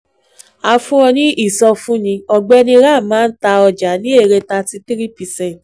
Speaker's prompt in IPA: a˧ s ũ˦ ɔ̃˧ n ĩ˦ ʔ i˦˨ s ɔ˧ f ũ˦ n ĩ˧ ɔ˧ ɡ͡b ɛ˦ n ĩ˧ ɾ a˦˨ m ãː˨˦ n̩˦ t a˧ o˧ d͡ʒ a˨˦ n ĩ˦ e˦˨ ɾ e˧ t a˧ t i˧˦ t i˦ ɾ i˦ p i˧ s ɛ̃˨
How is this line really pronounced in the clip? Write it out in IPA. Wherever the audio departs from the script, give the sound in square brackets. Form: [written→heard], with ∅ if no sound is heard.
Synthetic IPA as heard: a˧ [s→f] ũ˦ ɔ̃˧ n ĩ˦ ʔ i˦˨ s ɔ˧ f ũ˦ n ĩ˧ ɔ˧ ɡ͡b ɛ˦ n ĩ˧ ɾ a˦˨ m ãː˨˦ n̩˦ t a˧ [o˧→ɔ˧] d͡ʒ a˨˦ n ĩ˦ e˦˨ ɾ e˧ t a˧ t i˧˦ t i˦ ɾ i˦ p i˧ s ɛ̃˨